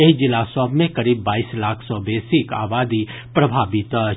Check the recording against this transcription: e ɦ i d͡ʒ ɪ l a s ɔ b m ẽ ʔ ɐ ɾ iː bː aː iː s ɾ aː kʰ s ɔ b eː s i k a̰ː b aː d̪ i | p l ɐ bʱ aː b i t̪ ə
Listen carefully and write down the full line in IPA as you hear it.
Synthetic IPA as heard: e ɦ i d͡ʒ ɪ l a s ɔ b m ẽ k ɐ ɾ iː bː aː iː s l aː kʰ s ɔ b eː s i k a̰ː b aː d̪ i | p ɾ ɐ bʱ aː b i t̪ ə